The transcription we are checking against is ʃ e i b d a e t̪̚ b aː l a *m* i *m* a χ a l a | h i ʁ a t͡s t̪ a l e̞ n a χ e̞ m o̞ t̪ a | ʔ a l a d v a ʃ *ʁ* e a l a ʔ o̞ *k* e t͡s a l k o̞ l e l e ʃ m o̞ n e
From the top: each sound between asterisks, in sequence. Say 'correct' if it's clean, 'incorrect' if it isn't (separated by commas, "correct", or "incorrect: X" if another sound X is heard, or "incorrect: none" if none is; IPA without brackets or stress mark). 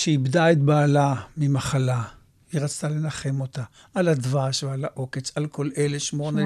correct, correct, incorrect: v, correct